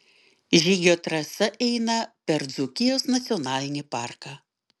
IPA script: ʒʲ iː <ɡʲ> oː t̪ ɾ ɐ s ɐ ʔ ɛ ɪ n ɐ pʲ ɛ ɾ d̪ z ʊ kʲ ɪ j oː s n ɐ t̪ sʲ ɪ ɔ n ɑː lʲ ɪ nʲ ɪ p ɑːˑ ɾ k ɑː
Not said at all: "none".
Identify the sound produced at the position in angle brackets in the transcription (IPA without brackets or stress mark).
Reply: ɡʲ